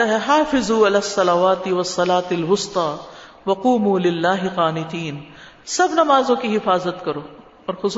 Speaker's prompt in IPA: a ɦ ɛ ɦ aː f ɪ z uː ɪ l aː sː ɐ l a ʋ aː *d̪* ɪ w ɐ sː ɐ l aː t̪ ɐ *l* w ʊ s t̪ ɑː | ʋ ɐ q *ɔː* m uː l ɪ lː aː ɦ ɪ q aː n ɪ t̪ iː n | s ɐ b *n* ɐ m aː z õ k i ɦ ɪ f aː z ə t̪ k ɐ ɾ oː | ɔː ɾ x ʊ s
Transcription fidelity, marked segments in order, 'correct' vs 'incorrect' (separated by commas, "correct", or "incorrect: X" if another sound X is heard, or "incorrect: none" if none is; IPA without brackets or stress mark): incorrect: t̪, correct, incorrect: uː, correct